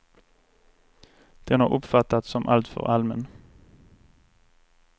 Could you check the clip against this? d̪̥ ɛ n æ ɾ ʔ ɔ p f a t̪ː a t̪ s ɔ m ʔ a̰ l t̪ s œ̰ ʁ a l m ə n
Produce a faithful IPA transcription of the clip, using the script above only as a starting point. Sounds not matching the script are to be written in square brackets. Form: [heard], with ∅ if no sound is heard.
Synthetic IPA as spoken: d̪̥ ɛ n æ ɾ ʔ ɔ p f a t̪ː a t̪ s ɔ m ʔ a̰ l t̪ [f] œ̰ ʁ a l m ə n